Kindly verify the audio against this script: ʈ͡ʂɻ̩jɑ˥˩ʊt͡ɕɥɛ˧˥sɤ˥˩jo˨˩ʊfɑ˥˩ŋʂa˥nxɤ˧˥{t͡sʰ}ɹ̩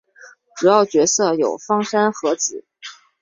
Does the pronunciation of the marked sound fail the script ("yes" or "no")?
yes